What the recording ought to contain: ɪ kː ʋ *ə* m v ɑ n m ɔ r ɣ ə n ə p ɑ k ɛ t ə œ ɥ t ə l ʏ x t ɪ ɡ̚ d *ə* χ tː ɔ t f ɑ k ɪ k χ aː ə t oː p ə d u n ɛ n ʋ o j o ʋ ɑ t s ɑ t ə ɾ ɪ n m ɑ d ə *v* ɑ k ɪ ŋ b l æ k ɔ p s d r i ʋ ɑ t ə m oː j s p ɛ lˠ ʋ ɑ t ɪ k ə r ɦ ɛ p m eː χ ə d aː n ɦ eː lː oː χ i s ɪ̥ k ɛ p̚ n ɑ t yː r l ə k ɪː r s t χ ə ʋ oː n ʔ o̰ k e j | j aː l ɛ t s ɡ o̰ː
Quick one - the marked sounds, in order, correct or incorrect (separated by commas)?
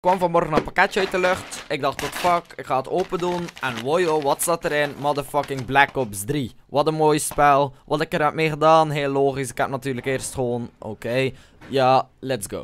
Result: incorrect, incorrect, incorrect